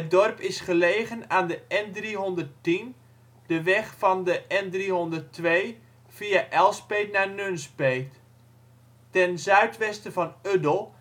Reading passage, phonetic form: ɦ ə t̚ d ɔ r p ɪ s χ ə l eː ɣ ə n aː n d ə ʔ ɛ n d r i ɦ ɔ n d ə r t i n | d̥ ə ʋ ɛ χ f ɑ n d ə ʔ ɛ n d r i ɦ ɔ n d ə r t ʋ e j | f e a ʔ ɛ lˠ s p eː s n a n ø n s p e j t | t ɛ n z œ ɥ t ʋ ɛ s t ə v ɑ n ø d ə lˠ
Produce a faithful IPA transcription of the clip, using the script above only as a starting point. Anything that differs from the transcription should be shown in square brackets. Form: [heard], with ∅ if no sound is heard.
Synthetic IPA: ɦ ə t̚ d ɔ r p ɪ s χ ə l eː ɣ ə n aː n d ə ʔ ɛ n d r i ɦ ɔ n d ə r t i n | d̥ ə ʋ ɛ χ f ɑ n d ə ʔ ɛ n d r i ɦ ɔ n d ə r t ʋ e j | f [i] a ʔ ɛ lˠ s p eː [t] n a n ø n s p e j t | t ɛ n z œ ɥ t ʋ ɛ s t ə v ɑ n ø d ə lˠ